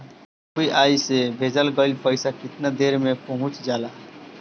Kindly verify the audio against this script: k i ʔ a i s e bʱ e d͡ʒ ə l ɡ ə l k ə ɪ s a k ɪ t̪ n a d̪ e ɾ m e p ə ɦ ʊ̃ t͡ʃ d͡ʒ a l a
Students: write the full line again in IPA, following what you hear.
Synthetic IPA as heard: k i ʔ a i s e bʱ e d͡ʒ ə l ɡ ə l p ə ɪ s a k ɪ t̪ n a d̪ e ɾ m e p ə ɦ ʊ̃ t͡ʃ d͡ʒ a l a